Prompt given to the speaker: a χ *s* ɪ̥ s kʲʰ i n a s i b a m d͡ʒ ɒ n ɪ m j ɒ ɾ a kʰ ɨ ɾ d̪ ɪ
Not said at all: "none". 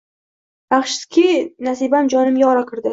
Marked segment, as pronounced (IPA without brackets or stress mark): ʃ